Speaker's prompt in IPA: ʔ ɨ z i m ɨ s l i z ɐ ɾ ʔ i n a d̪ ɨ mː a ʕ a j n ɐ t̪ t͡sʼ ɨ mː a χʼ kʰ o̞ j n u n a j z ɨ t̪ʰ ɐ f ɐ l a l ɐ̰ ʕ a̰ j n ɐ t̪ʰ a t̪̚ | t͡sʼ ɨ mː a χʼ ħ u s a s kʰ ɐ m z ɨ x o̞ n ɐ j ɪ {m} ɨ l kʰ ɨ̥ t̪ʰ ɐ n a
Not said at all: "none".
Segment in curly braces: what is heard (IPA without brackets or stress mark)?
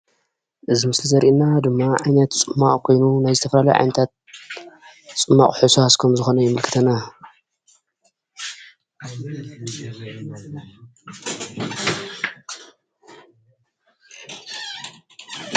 m